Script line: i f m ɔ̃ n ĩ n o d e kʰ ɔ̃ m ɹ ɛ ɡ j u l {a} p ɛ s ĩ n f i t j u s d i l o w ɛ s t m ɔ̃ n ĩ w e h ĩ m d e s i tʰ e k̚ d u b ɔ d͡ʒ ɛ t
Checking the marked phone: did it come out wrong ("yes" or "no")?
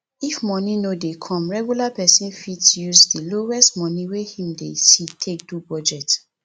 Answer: no